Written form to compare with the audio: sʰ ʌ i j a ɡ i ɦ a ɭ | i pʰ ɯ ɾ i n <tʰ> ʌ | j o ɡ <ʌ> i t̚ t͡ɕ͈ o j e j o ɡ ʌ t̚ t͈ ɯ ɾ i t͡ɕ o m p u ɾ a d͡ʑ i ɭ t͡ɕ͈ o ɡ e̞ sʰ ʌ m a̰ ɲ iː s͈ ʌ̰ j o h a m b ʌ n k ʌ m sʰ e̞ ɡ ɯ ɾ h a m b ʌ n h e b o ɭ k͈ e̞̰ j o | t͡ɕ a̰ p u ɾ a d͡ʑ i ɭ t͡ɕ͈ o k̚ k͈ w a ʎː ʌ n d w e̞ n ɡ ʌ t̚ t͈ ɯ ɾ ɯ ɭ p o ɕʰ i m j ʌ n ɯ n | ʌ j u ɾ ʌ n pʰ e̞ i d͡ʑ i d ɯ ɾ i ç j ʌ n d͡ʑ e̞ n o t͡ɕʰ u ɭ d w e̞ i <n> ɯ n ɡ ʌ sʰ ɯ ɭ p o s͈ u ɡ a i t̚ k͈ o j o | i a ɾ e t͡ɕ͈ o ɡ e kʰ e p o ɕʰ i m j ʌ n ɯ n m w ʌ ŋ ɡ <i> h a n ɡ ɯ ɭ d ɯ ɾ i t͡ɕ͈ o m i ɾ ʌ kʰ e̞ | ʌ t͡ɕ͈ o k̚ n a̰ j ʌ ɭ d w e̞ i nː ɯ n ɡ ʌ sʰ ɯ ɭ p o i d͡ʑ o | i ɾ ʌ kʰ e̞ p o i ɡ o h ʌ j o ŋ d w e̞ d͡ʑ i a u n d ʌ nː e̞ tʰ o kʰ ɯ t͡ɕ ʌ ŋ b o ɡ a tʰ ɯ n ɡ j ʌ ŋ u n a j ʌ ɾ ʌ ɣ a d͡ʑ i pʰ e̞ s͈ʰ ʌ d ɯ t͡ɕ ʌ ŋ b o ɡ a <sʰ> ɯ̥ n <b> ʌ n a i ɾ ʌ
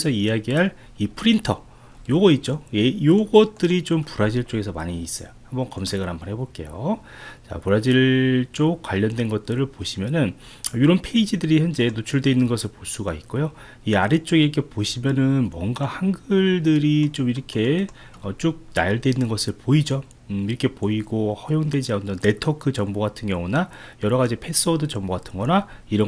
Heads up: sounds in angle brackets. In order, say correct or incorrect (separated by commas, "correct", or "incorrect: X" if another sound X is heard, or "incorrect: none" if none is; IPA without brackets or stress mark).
correct, correct, incorrect: nː, incorrect: a, incorrect: tʰ, incorrect: ɡ